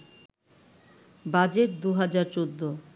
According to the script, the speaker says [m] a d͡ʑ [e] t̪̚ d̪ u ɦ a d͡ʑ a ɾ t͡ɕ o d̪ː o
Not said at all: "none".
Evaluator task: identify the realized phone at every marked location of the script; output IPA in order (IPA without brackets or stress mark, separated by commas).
b, e